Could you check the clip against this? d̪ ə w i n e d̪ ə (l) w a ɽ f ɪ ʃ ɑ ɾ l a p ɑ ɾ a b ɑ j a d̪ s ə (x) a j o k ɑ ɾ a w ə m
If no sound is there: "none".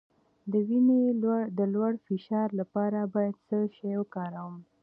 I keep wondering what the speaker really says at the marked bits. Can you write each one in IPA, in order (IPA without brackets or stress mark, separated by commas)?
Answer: l, ʃ